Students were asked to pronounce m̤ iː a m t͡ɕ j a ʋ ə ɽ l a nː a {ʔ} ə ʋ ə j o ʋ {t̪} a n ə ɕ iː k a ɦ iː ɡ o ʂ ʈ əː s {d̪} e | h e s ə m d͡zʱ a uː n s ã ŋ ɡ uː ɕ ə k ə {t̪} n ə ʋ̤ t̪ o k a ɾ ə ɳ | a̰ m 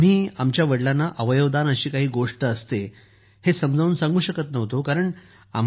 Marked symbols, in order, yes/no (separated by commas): yes, no, no, yes